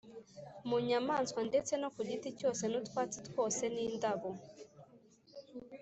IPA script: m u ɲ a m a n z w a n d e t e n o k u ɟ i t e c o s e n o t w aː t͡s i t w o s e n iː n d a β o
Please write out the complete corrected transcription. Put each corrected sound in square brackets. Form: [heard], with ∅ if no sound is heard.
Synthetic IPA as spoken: m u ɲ a m a n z w a n d e [t͡s] e n o k u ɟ i t [i] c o s e n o t w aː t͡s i t w o s e n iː n d a β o